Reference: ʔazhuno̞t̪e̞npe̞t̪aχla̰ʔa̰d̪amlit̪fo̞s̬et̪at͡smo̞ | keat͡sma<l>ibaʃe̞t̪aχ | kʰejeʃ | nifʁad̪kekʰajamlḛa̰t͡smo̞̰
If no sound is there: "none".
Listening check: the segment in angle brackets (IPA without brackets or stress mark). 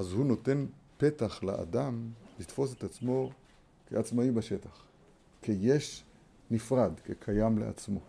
none